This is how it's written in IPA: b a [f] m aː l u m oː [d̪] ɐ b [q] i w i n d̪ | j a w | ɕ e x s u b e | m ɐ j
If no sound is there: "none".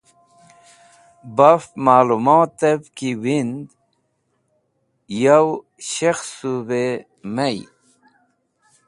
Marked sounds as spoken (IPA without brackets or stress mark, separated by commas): f, t̪, k